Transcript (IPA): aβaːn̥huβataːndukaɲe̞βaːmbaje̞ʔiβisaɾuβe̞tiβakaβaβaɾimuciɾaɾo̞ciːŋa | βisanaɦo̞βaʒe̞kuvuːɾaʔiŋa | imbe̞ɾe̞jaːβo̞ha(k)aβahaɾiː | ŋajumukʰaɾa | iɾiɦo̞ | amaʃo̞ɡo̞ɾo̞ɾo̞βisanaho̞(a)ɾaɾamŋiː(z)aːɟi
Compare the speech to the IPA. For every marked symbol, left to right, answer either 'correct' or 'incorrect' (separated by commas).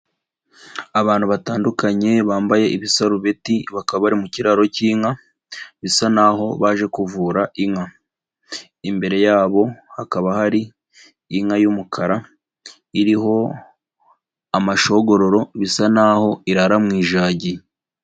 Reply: correct, incorrect, incorrect